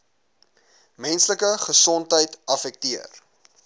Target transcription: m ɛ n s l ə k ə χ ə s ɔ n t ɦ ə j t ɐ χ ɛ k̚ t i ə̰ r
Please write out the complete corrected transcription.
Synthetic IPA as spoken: m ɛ n s l ə k ə χ ə s ɔ n t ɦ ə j t ɐ f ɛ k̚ t i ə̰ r